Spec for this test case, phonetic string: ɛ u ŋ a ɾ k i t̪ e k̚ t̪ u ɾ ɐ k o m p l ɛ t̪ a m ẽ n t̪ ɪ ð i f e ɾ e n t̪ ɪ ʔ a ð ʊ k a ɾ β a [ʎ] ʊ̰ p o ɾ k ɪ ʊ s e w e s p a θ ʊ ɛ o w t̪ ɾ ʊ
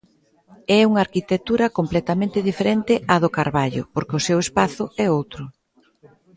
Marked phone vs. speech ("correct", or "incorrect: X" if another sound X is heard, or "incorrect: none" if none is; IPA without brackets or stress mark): correct